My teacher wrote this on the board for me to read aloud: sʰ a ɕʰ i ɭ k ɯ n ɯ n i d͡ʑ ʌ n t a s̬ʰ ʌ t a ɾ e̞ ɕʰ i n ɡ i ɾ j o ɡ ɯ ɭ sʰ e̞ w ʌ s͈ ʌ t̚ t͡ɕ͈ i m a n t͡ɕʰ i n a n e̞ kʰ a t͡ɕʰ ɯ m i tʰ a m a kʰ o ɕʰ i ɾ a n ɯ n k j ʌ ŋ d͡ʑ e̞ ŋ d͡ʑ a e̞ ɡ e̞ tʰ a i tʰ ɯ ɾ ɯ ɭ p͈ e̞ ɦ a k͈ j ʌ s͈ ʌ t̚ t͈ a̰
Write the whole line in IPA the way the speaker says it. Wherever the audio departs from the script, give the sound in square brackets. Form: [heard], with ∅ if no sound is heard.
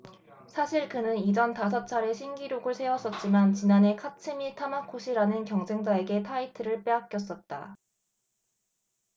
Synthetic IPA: sʰ a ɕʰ i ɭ k ɯ n ɯ n i d͡ʑ ʌ n t a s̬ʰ ʌ [t͡ɕʰ] a ɾ e̞ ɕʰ i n ɡ i ɾ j o ɡ ɯ ɭ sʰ e̞ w ʌ s͈ ʌ t̚ t͡ɕ͈ i m a n [t͡ɕ] i n a n e̞ kʰ a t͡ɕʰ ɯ m i tʰ a m a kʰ o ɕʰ i ɾ a n ɯ n k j ʌ ŋ d͡ʑ e̞ ŋ d͡ʑ a e̞ ɡ e̞ tʰ a i tʰ ɯ ɾ ɯ ɭ p͈ e̞ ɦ a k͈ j ʌ s͈ ʌ t̚ t͈ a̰